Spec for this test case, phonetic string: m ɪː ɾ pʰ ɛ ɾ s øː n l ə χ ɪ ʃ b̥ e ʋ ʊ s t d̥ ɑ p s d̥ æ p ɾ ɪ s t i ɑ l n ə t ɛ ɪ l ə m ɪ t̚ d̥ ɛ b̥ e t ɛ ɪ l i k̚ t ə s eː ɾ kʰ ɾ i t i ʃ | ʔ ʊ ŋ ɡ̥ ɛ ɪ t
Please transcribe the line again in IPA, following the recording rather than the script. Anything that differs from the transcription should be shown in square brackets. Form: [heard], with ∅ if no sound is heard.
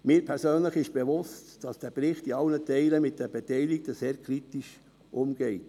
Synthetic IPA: m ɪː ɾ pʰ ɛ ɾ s øː n l ə χ ɪ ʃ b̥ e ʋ ʊ s t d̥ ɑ [∅] s d̥ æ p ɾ ɪ [χ] t i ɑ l n ə t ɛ ɪ l ə m ɪ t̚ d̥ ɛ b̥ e t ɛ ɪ l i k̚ t ə s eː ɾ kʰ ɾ i t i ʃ | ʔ ʊ [m] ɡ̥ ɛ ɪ t